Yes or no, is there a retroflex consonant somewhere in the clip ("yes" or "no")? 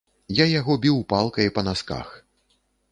no